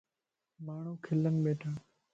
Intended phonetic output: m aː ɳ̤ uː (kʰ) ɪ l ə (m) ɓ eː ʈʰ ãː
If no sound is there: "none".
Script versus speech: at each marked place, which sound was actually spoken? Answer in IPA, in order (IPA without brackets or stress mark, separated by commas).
kʰ, n